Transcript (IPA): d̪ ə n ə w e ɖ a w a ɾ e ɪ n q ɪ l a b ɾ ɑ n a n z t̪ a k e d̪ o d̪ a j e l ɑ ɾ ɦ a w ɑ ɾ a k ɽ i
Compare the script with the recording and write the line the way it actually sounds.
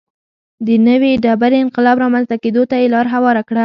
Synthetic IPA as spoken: d̪ ə n ə w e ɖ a b a ɾ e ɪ n q ɪ l ɑ b ɾ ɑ m a n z t̪ a k e d̪ o t̪ a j e l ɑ ɾ ɦ a w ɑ ɾ a k ɽ a